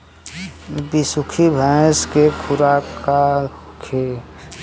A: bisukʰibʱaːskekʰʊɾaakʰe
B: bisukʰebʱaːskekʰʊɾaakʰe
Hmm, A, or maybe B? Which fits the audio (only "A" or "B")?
A